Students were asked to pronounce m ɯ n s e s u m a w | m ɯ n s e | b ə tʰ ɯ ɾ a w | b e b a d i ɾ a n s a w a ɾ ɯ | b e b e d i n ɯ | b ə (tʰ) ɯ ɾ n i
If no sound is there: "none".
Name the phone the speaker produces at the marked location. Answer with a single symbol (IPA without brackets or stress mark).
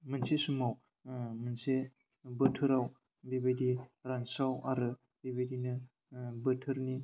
tʰ